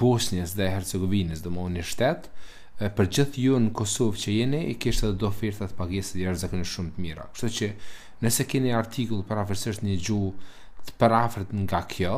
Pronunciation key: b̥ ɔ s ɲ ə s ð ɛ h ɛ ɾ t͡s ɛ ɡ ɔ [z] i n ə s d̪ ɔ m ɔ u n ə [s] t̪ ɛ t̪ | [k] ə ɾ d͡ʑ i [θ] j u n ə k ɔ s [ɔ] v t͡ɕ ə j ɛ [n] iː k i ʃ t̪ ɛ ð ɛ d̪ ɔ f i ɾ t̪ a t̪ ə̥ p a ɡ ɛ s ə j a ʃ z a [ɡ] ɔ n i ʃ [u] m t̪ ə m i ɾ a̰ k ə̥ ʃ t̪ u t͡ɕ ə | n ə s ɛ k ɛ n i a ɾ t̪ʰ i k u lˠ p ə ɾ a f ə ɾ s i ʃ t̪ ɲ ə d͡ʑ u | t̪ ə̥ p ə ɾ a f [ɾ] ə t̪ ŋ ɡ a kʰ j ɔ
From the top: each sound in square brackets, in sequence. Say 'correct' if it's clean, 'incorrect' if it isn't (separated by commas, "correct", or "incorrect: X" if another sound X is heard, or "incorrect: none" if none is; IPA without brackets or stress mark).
incorrect: v, incorrect: ʃ, incorrect: p, correct, correct, correct, incorrect: k, correct, correct